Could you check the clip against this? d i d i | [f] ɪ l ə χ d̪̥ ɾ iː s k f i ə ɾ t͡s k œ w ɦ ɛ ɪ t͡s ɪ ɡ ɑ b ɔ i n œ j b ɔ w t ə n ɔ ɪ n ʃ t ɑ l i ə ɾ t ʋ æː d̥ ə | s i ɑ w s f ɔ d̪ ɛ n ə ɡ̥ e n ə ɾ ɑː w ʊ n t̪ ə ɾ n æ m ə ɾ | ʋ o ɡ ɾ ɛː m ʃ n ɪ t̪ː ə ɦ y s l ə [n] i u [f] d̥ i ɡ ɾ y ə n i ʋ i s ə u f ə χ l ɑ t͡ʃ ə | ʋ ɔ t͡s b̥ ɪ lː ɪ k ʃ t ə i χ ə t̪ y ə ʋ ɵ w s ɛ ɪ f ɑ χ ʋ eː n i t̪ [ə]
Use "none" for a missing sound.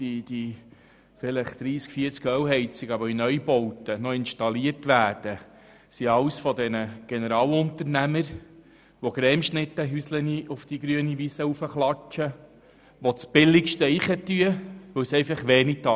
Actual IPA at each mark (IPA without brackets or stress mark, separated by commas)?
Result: f, n, f, ɑ